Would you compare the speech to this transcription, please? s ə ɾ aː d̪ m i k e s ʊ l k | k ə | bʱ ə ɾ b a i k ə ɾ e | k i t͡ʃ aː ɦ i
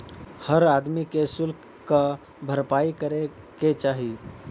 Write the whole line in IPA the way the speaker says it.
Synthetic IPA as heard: h ə ɾ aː d̪ m i k e s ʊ l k | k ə | bʱ ə ɾ p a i k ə ɾ e | k e t͡ʃ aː ɦ i